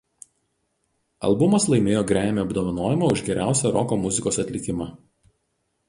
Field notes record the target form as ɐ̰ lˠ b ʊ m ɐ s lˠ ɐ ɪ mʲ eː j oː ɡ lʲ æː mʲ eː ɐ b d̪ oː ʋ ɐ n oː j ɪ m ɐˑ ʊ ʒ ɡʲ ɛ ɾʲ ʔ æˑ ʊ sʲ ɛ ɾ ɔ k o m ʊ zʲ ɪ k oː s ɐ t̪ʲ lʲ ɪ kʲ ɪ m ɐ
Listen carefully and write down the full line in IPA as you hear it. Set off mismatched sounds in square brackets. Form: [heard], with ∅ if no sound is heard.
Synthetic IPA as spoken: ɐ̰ lˠ b ʊ m ɐ s lˠ ɐ ɪ mʲ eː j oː ɡ [ɾʲ] æː mʲ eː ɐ b d̪ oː ʋ ɐ n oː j ɪ m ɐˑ ʊ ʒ ɡʲ ɛ ɾʲ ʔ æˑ ʊ sʲ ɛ ɾ ɔ k o m ʊ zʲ ɪ k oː s ɐ t̪ʲ lʲ ɪ kʲ ɪ m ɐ